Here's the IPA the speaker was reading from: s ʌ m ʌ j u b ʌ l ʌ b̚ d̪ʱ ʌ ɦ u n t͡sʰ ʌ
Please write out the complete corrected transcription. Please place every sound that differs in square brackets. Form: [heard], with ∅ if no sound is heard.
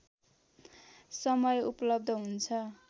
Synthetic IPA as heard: s ʌ m ʌ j u [p] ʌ l ʌ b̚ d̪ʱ ʌ ɦ u n t͡sʰ ʌ